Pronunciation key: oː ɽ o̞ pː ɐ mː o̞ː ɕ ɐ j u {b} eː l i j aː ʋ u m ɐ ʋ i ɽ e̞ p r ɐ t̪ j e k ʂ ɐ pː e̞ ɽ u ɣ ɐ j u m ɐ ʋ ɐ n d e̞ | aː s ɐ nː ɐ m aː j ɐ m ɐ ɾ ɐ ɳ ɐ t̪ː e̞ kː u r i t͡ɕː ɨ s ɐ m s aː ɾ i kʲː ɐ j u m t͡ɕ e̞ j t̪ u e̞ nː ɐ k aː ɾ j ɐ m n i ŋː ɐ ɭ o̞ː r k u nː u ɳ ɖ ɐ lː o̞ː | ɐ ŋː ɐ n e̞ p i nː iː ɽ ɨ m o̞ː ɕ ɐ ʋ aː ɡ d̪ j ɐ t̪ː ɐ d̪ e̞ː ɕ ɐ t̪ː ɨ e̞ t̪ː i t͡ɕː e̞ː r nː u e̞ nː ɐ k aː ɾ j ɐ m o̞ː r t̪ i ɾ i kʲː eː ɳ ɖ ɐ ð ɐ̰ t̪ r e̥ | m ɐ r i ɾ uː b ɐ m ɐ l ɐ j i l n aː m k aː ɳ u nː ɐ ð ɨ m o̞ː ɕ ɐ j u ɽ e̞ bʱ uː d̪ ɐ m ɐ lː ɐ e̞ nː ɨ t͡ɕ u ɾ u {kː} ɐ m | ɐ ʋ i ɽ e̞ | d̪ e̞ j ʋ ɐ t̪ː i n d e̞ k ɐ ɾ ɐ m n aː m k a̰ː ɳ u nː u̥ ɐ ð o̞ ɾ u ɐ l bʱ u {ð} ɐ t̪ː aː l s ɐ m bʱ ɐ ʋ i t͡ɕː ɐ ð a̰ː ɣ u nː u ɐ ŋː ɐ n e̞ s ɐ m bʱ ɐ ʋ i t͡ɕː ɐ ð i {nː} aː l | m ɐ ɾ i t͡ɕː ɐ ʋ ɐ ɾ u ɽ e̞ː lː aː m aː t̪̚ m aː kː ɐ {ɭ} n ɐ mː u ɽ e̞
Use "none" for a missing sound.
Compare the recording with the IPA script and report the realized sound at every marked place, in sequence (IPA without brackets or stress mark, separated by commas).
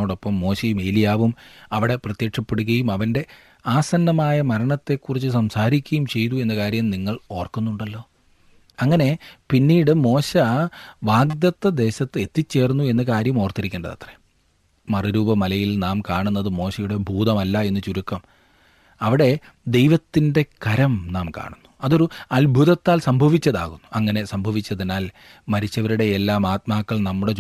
m, kː, ð, n, ɭ